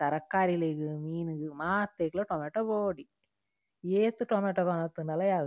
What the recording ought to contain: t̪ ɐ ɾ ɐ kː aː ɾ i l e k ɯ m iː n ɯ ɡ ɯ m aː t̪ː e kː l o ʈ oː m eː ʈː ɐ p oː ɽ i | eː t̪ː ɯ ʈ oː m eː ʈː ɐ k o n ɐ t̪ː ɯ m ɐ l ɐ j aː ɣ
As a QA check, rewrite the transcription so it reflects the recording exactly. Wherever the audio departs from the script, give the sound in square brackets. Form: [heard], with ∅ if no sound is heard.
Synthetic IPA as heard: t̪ ɐ ɾ ɐ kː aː ɾ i l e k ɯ m iː n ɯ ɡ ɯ m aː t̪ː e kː l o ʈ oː m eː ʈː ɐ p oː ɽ i | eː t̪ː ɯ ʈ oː m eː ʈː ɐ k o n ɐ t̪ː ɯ [n] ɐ l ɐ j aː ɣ